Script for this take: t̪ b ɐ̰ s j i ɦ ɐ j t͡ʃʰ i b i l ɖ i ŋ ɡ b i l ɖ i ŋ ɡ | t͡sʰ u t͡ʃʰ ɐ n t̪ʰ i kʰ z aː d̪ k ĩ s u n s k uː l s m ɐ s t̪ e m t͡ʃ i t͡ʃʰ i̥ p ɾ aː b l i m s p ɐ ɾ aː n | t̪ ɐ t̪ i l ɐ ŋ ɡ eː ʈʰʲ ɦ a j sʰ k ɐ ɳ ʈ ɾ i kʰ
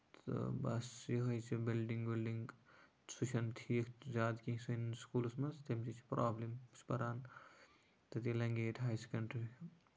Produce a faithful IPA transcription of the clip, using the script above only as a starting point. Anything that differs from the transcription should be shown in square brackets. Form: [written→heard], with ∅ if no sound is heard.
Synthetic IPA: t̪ b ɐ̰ s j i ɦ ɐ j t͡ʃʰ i b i l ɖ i ŋ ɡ b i l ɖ i ŋ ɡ | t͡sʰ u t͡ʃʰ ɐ n t̪ʰ i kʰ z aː d̪ k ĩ s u n s k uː l s m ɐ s t̪ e m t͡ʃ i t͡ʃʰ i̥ p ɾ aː b l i m s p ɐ ɾ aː n | t̪ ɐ t̪ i l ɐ ŋ ɡ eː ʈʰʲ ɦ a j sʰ k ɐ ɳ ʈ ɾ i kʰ